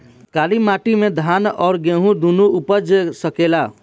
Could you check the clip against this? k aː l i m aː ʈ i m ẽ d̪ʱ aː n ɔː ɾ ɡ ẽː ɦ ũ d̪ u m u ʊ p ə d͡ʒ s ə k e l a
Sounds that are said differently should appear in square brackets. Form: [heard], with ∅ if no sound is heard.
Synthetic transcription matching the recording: k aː l i m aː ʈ i m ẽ d̪ʱ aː n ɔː ɾ ɡ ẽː ɦ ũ d̪ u [n] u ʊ p ə d͡ʒ s ə k e l a